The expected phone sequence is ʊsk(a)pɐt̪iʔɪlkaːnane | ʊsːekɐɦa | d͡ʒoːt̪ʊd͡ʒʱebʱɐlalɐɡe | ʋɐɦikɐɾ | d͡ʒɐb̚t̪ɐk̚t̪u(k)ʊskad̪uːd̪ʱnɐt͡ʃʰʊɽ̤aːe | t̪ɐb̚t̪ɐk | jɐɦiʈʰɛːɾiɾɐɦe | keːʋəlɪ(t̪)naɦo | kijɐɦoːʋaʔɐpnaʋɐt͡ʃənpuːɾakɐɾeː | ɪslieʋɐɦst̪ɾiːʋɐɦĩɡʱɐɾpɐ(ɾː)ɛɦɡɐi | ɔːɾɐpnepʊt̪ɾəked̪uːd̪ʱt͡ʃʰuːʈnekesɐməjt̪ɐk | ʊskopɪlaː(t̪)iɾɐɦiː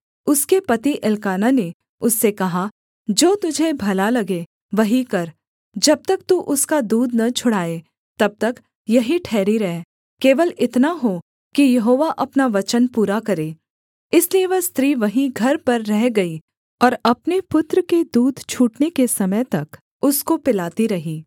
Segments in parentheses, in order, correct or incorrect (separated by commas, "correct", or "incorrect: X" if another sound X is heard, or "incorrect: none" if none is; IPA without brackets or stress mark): incorrect: e, incorrect: ʔ, correct, correct, correct